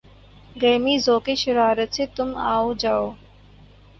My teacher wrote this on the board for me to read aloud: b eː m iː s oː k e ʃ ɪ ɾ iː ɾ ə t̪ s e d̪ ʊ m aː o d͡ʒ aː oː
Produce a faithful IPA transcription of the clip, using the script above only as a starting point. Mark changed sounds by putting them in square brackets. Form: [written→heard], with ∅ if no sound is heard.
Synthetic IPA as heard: [b→ɡ] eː m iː [s→z] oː k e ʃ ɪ ɾ [iː→aː] ɾ ə t̪ s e [d̪→t̪] ʊ m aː o d͡ʒ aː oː